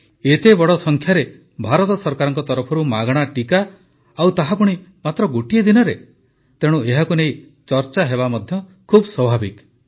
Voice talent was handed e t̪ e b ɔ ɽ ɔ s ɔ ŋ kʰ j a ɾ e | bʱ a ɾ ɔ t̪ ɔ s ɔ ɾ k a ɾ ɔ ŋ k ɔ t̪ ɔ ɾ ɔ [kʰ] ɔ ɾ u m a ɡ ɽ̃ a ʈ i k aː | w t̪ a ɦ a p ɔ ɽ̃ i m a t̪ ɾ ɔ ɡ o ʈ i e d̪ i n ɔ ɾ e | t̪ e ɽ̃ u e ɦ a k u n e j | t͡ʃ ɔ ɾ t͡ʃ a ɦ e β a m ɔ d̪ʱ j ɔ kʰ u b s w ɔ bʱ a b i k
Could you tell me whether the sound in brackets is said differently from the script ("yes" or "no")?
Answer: yes